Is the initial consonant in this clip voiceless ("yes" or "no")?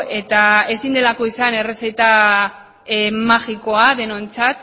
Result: yes